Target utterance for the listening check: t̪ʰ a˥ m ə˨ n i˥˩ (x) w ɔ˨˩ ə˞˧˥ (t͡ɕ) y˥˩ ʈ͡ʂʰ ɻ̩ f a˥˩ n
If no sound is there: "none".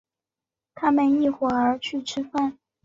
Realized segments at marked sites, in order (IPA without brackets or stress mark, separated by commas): x, t͡ɕʰ